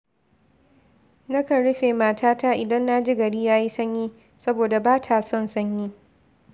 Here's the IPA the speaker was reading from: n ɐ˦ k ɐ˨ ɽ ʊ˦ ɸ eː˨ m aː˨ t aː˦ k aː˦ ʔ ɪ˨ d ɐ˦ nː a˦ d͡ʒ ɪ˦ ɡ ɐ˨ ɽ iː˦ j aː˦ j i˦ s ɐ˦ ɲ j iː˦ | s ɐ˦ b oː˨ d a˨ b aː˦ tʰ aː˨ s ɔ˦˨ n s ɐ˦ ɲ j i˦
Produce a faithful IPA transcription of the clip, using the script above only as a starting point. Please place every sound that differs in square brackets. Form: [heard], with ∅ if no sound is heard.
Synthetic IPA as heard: n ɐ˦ k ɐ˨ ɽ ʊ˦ ɸ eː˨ m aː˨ t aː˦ [t] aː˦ ʔ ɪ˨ d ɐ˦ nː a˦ d͡ʒ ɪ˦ ɡ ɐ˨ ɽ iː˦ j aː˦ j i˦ s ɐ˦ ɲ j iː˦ | s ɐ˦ b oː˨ d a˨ b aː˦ tʰ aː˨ s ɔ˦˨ n s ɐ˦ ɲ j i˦